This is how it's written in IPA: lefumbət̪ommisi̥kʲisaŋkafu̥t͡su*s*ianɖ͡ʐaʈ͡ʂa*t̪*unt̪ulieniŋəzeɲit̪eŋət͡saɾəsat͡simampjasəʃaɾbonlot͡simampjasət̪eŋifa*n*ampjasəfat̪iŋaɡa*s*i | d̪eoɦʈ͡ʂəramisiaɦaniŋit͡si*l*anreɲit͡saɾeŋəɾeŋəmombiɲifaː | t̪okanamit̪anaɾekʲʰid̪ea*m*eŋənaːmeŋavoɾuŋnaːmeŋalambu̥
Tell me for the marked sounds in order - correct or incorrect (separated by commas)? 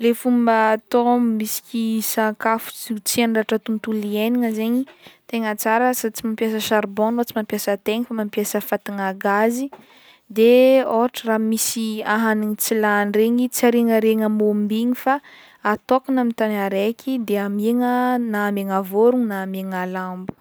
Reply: incorrect, correct, incorrect, incorrect, correct, correct